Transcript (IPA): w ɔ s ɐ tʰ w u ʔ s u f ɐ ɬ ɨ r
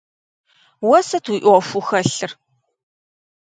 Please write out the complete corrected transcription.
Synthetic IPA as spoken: w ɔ s ɐ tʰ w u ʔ f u x ɐ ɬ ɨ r